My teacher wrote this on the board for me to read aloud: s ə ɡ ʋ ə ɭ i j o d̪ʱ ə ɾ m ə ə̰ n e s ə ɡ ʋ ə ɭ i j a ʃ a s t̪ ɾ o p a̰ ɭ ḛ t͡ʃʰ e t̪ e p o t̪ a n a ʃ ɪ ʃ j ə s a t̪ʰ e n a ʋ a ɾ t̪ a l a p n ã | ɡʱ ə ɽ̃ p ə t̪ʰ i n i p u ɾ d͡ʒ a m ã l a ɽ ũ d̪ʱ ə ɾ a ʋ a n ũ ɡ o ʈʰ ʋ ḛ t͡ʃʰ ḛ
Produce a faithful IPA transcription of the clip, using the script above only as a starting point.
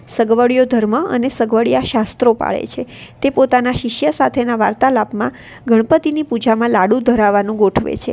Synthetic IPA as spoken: s ə ɡ ʋ ə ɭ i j o d̪ʱ ə ɾ m ə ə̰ n e s ə ɡ ʋ ə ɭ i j a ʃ a s t̪ ɾ o p a̰ ɭ ḛ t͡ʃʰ e t̪ e p o t̪ a n a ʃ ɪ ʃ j ə s a t̪ʰ e n a ʋ a ɾ t̪ a l a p m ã | ɡʱ ə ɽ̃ p ə t̪ i n i p u d͡ʒ a m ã l a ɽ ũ d̪ʱ ə ɾ a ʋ a n ũ ɡ o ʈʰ ʋ ḛ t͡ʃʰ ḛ